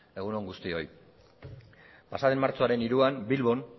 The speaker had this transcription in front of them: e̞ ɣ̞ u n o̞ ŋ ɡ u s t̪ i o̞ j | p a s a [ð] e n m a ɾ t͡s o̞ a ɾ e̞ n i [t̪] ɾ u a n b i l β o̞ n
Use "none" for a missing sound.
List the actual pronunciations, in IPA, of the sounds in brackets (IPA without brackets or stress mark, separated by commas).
ð, none